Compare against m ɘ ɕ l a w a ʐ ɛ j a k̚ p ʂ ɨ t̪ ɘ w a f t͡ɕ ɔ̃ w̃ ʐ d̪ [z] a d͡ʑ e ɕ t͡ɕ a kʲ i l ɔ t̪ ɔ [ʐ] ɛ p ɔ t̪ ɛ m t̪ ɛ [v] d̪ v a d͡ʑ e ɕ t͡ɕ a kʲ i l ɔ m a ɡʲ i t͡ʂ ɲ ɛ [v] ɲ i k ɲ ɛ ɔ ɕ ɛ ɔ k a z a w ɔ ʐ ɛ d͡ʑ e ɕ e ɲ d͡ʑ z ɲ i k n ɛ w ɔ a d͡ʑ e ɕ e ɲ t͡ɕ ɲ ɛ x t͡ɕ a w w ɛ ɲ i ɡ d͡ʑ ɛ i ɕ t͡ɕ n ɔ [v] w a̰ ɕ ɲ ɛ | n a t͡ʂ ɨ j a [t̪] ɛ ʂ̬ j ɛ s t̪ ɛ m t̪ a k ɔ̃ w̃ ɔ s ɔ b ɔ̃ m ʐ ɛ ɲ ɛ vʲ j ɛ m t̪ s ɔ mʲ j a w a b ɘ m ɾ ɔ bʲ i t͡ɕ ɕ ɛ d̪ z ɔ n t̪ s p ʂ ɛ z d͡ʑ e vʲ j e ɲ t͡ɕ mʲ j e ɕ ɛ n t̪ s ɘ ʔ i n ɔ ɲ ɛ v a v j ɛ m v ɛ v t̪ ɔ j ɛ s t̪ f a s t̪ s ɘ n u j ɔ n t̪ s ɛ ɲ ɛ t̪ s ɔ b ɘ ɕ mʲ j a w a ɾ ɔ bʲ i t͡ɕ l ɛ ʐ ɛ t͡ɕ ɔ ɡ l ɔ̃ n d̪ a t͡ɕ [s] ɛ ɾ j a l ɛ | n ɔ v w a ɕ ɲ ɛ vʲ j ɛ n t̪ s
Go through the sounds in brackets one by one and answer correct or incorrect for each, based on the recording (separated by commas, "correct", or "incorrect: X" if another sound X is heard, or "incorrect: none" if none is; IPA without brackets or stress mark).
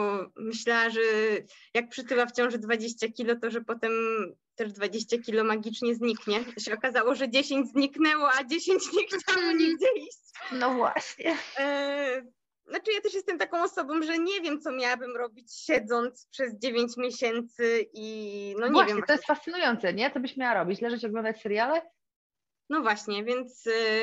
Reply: incorrect: v, correct, incorrect: ʐ, incorrect: z, correct, correct, correct